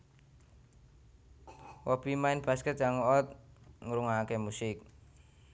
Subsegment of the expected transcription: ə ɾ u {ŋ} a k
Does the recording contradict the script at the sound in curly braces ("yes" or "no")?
no